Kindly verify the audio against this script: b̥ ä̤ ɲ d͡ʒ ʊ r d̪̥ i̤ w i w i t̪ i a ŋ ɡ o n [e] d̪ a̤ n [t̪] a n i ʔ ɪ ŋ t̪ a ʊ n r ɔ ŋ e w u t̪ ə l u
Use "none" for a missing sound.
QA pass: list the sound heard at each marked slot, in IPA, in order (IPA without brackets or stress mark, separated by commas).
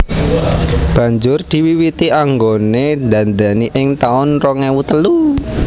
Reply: e, d̪